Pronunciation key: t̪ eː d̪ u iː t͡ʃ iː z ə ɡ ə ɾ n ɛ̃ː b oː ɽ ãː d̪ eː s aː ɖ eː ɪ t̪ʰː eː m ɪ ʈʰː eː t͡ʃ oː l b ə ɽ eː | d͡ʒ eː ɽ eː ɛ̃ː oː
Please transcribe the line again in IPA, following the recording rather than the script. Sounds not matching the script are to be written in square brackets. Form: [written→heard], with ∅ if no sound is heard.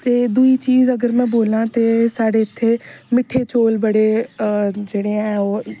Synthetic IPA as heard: t̪ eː d̪ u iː t͡ʃ iː z ə ɡ ə ɾ [n→m] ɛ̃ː b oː [ɽ→l] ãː [d̪→t̪] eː s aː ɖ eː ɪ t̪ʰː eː m ɪ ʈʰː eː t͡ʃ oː l b ə ɽ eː | d͡ʒ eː ɽ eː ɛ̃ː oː